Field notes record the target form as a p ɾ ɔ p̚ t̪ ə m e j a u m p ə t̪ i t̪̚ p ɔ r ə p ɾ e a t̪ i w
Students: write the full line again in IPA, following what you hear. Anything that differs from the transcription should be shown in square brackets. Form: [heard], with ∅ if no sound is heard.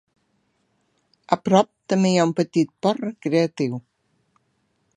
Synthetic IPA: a p ɾ ɔ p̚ t̪ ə m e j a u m p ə t̪ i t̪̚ p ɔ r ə [k] ɾ e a t̪ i w